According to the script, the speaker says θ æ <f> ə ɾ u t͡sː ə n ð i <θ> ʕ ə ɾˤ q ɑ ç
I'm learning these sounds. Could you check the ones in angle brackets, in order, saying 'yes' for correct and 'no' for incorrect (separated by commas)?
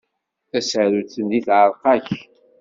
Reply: no, yes